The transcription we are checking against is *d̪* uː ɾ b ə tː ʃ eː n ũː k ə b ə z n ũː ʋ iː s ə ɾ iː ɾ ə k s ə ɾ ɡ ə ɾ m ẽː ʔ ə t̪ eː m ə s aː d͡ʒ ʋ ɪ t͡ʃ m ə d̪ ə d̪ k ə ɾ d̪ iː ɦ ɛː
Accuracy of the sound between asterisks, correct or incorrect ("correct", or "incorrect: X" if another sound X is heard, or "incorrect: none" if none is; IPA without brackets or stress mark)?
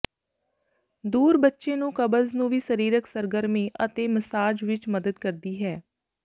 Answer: correct